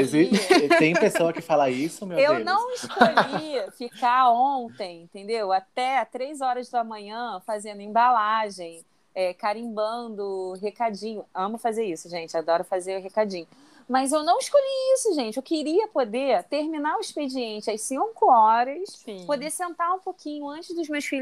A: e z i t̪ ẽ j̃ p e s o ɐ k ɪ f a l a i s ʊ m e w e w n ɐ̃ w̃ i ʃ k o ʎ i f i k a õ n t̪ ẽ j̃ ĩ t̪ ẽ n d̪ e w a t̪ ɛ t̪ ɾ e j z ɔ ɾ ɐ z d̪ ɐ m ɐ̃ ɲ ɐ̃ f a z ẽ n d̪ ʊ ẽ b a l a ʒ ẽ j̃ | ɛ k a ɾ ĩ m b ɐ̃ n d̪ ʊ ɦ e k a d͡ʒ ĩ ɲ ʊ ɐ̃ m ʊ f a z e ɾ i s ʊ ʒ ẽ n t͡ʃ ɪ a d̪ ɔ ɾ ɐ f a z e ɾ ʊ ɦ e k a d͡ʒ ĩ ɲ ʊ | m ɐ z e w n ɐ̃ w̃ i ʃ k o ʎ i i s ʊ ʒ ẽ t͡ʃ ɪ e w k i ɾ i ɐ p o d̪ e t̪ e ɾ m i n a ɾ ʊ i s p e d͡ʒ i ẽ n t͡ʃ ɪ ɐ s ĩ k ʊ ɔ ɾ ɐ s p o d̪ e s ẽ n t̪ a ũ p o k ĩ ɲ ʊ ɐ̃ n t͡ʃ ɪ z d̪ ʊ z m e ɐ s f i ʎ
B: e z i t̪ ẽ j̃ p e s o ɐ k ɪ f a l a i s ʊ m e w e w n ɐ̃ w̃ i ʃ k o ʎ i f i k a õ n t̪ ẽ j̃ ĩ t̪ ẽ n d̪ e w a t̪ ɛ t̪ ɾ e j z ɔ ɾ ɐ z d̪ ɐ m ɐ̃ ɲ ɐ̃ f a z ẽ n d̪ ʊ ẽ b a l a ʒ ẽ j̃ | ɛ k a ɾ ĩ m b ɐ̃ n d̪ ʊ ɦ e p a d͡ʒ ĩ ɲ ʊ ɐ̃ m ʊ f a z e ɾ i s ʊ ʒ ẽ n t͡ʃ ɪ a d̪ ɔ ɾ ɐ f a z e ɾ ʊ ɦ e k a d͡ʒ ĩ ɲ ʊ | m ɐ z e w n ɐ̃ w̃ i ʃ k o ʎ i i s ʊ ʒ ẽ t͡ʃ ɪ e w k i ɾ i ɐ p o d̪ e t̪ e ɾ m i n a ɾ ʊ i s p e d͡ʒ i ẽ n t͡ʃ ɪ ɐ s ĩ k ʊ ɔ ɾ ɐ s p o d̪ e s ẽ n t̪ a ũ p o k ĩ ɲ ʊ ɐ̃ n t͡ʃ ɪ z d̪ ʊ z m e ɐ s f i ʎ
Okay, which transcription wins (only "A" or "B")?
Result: A